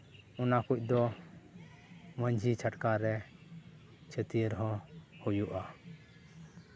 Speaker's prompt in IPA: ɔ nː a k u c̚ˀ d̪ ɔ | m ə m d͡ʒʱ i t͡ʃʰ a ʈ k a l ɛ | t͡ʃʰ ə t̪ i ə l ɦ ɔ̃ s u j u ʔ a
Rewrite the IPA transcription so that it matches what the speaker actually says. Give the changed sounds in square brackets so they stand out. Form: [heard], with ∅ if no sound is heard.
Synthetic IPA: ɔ [n] a k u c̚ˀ d̪ ɔ | m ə [ɲ] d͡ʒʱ i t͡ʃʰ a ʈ k a [ɾ] ɛ | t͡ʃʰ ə t̪ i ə [ɾ] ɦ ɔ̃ [h] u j u ʔ a